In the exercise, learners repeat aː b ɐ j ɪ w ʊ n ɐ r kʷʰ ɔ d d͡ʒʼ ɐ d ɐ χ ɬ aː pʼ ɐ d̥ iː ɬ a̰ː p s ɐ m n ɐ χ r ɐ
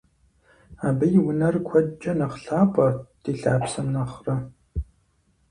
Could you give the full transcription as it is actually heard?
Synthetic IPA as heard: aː b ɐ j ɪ w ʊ n ɐ r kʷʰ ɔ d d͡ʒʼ ɐ n ɐ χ ɬ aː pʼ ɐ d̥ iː ɬ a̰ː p s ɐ m n ɐ χ r ɐ